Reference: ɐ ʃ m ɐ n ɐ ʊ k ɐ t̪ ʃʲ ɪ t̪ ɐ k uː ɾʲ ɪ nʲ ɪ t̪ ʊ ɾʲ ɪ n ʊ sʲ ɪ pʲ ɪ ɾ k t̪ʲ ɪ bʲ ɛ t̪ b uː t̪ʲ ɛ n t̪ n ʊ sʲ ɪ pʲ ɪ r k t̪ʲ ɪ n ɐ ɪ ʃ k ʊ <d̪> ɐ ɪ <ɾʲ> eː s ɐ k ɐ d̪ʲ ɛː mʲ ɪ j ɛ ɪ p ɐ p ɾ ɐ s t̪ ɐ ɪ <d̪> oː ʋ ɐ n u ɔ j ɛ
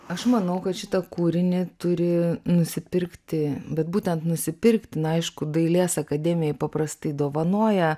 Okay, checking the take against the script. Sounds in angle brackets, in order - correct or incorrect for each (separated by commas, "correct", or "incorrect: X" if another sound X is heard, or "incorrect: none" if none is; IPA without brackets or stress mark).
correct, incorrect: lʲ, correct